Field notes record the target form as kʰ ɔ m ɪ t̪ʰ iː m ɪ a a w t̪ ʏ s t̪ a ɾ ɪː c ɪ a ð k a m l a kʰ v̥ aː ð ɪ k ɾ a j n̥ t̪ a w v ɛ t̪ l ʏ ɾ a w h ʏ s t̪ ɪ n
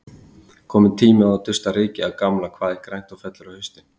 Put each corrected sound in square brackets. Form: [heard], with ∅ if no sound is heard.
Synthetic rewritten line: kʰ [ɔː] m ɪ t̪ʰ iː m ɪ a a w t̪ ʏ s t̪ a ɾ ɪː c ɪ a ð k a m l a kʰ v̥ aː ð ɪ k ɾ a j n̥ t̪ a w [f] ɛ t̪ l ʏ ɾ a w h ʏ s t̪ ɪ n